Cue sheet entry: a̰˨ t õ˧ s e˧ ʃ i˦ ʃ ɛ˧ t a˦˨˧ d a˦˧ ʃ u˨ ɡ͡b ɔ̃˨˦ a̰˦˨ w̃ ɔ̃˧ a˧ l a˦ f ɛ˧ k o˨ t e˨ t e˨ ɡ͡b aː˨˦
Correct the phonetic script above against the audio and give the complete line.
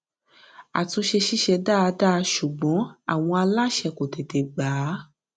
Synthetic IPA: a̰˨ t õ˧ ʃ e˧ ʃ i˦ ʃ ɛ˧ d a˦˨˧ d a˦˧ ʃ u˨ ɡ͡b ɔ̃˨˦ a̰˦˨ w̃ ɔ̃˧ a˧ l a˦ ʃ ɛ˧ k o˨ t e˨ t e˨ ɡ͡b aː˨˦